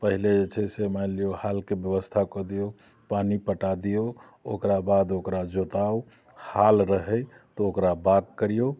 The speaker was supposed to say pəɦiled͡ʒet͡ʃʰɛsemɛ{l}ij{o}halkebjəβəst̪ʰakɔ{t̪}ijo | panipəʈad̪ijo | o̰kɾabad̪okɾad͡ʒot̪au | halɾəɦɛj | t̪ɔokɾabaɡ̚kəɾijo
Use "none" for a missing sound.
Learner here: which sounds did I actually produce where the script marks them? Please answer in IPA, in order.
l, o, d̪

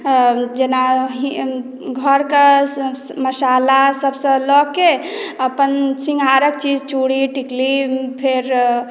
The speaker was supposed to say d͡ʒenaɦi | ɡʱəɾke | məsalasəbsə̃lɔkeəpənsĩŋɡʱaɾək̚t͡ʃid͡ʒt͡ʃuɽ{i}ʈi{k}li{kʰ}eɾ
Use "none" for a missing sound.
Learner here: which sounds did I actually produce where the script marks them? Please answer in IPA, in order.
i, k, pʰ

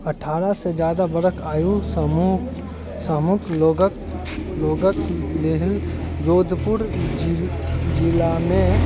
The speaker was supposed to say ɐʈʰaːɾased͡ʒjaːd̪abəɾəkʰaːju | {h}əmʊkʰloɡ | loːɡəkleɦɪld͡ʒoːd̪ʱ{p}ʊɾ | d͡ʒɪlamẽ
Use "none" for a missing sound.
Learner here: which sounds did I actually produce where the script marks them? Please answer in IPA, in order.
s, p

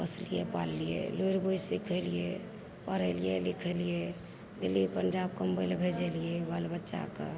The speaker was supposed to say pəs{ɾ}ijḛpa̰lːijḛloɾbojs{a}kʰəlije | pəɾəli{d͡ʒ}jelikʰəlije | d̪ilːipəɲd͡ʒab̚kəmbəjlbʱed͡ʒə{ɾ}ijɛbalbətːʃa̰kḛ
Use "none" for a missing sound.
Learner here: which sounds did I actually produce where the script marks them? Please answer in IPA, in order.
l, i, none, l

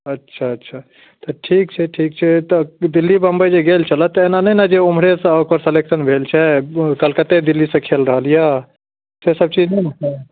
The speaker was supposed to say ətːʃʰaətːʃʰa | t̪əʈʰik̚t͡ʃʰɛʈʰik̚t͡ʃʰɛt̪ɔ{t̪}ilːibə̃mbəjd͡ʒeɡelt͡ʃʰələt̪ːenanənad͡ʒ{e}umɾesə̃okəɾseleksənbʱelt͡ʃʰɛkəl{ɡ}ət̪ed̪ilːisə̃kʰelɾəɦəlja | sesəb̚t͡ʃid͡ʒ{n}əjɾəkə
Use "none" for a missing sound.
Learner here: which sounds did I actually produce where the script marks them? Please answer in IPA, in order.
d̪, e, k, n

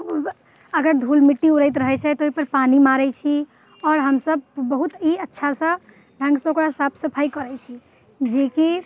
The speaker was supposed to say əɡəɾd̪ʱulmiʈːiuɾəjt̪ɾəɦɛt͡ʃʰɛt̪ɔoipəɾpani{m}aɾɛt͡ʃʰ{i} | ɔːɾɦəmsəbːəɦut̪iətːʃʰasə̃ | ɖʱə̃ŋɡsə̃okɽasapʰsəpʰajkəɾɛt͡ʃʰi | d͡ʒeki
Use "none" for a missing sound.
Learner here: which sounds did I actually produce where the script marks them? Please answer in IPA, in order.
m, i

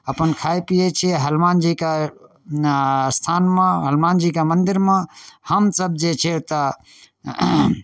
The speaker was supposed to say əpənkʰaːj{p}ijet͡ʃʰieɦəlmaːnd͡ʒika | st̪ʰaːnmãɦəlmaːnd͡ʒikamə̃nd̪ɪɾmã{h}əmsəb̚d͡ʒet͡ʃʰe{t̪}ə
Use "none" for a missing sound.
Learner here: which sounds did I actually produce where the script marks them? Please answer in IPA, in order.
p, h, t̪

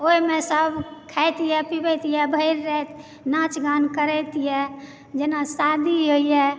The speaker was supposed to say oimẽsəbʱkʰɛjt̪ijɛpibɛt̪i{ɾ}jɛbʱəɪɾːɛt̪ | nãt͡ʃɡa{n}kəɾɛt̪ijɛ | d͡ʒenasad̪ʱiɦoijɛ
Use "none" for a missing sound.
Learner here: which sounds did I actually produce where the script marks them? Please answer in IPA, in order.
none, n

